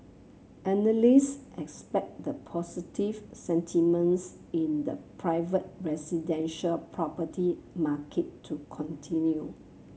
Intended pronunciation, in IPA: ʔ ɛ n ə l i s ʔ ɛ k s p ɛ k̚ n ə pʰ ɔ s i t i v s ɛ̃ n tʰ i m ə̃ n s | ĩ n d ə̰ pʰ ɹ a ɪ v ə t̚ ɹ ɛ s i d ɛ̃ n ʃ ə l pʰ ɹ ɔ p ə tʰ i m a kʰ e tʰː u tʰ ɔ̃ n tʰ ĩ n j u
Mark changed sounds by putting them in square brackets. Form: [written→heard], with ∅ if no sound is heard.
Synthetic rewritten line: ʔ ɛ n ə l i s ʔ ɛ k s p ɛ k̚ [n→d] ə pʰ ɔ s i t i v s ɛ̃ n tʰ i m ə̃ n s | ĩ n d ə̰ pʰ ɹ a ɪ v ə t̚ ɹ ɛ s i d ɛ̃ n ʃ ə l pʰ ɹ ɔ p ə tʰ i m a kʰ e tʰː u [tʰ→kʰ] ɔ̃ n tʰ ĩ n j u